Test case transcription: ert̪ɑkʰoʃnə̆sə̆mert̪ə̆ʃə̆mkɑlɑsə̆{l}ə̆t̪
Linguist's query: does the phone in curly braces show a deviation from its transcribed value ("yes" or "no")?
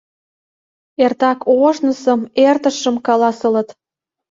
no